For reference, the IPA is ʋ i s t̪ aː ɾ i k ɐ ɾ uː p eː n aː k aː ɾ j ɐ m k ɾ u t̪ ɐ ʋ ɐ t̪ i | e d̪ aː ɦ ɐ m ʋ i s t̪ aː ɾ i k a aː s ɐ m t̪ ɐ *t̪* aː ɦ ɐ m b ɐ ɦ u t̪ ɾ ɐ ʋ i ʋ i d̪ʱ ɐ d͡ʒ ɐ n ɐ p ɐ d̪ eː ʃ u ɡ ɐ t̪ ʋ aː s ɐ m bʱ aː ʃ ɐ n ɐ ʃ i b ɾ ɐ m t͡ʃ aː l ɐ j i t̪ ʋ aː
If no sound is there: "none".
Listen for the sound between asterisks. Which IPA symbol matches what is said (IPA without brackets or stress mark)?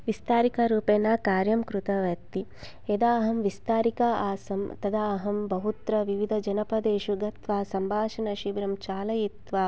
d̪